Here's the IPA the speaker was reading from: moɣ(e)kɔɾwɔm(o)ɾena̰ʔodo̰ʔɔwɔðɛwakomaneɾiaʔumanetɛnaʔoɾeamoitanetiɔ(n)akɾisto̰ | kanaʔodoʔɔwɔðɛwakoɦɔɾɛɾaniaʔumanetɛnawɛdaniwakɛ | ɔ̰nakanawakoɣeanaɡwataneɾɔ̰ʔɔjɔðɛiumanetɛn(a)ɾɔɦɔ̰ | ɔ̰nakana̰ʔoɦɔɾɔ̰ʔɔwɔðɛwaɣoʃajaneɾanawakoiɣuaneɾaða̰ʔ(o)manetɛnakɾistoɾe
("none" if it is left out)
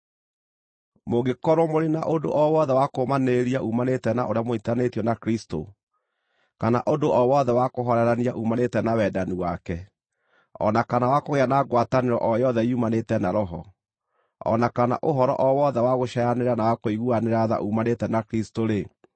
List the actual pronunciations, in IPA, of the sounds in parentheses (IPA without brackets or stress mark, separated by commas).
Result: e, o, n, a, u